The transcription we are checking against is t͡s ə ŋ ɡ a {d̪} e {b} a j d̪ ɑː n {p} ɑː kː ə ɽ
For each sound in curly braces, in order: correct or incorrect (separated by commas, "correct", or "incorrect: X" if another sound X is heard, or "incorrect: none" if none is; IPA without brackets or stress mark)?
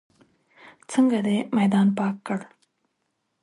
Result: correct, incorrect: m, correct